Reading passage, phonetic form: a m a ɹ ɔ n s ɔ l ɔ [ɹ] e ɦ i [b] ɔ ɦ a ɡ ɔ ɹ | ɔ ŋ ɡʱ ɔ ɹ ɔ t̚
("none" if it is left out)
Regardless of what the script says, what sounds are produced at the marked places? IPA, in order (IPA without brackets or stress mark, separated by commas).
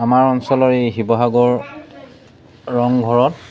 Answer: ɹ, b